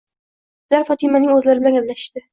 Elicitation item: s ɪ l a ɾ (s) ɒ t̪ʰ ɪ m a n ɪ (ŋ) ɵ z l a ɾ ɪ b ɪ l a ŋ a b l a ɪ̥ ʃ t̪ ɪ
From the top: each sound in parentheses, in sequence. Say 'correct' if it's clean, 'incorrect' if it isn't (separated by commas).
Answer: incorrect, correct